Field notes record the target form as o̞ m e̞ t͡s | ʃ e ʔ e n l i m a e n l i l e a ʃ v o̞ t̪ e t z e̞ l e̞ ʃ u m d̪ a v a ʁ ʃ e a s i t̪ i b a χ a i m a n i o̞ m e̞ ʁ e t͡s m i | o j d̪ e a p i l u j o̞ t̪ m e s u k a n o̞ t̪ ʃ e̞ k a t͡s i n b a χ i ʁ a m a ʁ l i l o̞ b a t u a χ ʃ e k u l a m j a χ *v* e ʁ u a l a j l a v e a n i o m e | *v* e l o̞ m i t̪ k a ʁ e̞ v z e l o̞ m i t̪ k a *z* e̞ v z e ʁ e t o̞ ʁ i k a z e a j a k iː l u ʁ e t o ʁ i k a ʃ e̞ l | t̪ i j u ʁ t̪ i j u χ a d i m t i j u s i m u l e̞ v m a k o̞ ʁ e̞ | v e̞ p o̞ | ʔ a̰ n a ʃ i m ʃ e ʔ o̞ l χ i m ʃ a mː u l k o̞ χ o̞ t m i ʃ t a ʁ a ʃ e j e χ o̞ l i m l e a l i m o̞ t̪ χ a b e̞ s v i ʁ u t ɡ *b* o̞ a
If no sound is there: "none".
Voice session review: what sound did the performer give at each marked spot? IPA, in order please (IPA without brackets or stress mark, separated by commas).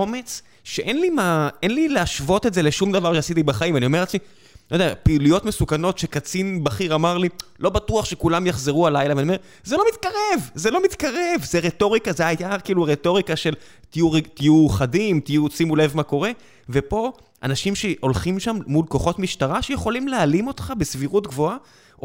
z, z, ʁ, v